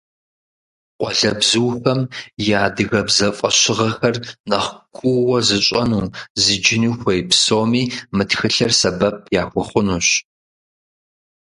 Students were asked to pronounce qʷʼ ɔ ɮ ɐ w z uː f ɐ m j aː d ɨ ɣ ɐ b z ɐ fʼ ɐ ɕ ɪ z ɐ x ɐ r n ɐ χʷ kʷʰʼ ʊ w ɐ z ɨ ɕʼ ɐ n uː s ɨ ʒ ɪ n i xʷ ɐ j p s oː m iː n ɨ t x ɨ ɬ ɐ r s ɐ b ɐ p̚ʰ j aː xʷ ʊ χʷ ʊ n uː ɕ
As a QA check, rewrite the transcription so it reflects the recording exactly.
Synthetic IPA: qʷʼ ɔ ɮ ɐ b z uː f ɐ m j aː d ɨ ɣ ɐ b z ɐ fʼ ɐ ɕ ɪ ʁ ɐ x ɐ r n ɐ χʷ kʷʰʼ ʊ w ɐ z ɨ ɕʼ ɐ n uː z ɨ d͡ʒ ɪ n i xʷ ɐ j p s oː m iː m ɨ t x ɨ ɬ ɐ r s ɐ b ɐ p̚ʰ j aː xʷ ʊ χʷ ʊ n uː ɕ